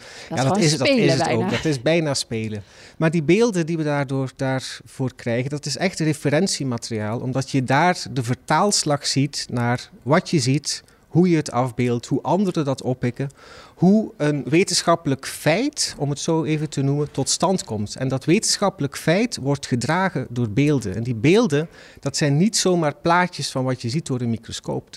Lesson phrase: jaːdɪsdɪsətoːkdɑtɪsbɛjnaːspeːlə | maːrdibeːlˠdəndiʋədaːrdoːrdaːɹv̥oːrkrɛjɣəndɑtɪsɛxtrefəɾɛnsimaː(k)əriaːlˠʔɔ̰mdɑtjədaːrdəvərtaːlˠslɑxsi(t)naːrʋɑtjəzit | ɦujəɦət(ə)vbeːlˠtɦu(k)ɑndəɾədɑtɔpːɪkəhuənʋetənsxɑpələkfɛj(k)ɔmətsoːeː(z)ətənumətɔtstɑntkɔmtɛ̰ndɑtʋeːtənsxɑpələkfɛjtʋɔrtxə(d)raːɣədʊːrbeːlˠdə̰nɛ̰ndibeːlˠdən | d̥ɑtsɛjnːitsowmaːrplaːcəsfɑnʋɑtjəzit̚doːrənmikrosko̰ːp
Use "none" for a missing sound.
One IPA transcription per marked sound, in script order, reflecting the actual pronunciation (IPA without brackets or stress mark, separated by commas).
t, t, ɑ, ʔ, t, v, d